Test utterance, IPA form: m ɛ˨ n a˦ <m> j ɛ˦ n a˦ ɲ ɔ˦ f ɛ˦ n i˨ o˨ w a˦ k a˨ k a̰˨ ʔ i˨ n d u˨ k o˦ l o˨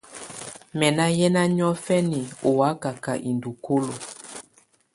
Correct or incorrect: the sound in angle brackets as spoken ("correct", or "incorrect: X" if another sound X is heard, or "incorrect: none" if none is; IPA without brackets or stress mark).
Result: incorrect: none